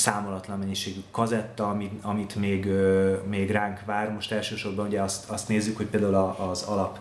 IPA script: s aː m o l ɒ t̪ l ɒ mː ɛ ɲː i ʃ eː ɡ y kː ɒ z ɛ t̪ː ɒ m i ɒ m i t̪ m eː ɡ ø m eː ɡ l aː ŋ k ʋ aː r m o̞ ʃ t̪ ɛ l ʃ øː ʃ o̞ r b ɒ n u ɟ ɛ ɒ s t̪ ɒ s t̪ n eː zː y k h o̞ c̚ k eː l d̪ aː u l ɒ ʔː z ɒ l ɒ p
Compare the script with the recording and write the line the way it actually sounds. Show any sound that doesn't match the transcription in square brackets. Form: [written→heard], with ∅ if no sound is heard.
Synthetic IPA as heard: s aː m o l ɒ t̪ l ɒ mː ɛ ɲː i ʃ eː ɡ y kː ɒ z ɛ t̪ː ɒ m i ɒ m i t̪ m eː ɡ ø m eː ɡ [l→r] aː ŋ k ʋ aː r m o̞ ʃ t̪ ɛ l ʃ øː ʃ o̞ r b ɒ n u ɟ ɛ ɒ s t̪ ɒ s t̪ n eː zː y k h o̞ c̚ [k→p] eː l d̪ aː u l ɒ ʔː z ɒ l ɒ p